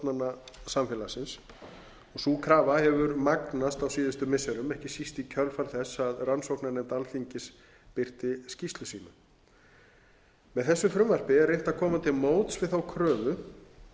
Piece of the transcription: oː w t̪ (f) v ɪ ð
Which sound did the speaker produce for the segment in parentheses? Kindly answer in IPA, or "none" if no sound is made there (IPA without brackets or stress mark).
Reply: s